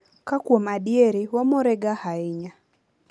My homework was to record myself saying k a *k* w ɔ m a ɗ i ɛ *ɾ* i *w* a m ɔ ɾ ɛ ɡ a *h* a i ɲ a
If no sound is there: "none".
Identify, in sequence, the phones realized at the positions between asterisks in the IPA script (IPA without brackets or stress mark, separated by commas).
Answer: k, ɾ, w, h